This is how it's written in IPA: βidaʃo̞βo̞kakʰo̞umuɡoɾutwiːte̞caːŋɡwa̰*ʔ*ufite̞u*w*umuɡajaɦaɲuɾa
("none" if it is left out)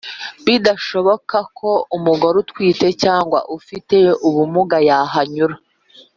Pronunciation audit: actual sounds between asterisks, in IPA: ʔ, β

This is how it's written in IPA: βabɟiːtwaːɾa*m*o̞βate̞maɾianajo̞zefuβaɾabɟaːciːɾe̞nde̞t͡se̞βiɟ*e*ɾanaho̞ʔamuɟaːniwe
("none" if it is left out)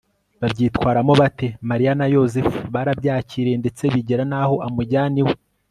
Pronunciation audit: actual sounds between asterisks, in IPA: m, e

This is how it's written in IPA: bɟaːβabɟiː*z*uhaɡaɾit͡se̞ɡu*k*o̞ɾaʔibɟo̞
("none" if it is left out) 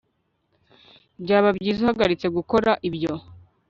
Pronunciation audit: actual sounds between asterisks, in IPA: z, k

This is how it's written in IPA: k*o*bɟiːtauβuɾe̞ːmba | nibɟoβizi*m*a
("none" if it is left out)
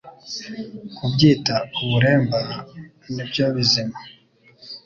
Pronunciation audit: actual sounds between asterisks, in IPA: u, m

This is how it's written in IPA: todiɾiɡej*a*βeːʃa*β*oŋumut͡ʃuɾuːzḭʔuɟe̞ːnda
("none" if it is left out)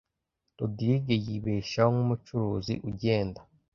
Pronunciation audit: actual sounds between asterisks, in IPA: i, none

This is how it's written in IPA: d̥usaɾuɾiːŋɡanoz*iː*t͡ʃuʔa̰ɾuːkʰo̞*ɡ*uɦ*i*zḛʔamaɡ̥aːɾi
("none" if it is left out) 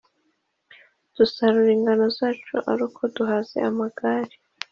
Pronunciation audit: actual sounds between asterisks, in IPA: aː, d, a

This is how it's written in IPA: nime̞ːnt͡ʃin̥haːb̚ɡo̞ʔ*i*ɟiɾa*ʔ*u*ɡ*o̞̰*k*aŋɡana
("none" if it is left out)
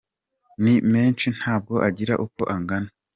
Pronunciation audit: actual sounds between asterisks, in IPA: a, ʔ, k, ʔ

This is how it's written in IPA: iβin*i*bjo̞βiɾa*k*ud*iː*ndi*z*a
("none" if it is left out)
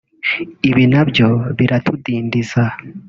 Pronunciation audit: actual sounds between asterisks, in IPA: a, t, iː, z

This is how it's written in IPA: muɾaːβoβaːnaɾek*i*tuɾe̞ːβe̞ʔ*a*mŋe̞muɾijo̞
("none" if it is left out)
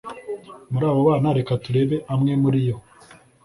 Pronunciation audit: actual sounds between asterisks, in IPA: a, a

